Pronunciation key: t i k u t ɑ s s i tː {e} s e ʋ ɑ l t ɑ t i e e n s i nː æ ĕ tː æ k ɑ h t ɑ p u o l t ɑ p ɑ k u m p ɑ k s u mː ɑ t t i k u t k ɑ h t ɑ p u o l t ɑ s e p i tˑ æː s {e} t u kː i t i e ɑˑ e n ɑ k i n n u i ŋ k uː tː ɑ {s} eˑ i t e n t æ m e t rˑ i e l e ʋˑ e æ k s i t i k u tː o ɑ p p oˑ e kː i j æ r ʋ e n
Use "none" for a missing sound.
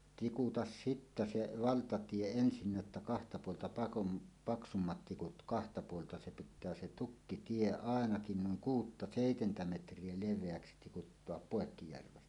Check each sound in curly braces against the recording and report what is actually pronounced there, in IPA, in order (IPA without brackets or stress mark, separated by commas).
æ, e, s